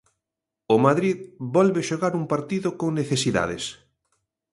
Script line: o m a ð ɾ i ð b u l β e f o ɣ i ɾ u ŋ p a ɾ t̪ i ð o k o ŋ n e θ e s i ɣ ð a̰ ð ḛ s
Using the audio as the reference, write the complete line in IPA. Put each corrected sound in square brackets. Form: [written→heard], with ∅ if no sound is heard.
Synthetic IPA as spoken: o m a ð ɾ i ð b [u→ɔ] l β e [f→ʃ] o ɣ [i→a] ɾ u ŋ p a ɾ t̪ i ð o k o ŋ n e θ e s i [ɣ→∅] ð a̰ ð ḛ s